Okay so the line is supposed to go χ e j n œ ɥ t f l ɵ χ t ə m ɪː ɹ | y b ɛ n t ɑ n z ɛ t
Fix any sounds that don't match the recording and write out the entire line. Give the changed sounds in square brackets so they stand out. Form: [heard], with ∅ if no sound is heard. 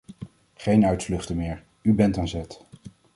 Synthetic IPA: χ e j n œ ɥ t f l ɵ χ t ə m ɪː ɹ | y b ɛ n t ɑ n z ɛ t